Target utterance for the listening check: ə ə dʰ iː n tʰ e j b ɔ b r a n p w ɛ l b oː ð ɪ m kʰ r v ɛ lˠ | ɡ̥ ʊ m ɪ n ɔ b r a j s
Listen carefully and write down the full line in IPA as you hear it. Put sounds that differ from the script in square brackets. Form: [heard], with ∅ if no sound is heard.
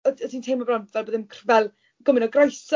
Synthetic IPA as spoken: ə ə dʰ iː n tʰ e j [m] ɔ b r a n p [v] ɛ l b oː ð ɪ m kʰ r v ɛ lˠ | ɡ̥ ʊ m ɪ n ɔ [ɡ] r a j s